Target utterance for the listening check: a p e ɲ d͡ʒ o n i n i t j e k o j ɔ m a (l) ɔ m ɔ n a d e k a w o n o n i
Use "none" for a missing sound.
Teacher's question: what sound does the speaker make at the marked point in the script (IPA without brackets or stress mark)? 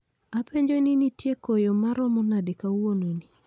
ɾ